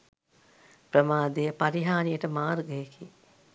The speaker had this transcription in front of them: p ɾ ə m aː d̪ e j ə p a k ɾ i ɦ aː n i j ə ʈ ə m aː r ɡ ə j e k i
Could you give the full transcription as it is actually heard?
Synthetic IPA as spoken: p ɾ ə m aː d̪ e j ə p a ɾ i ɦ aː n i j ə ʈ ə m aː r ɡ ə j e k i